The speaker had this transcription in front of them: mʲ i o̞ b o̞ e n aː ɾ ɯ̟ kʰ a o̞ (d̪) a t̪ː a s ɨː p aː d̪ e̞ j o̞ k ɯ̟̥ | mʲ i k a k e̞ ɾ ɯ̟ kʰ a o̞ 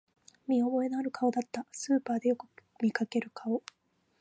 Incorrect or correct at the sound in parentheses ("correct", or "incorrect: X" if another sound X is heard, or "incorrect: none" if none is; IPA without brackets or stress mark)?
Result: correct